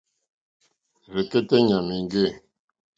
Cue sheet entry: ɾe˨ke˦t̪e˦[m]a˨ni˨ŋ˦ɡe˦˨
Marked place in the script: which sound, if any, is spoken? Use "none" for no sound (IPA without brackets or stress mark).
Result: ɲ